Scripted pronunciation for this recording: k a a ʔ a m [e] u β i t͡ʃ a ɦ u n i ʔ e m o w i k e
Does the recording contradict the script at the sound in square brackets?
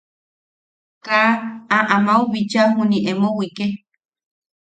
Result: yes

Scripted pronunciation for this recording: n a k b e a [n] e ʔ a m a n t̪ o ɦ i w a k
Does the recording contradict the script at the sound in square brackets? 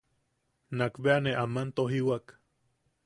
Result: no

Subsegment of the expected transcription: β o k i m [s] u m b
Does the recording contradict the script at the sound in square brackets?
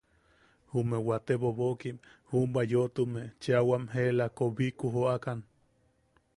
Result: yes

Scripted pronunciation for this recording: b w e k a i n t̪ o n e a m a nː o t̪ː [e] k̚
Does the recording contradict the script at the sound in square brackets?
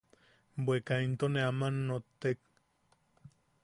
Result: no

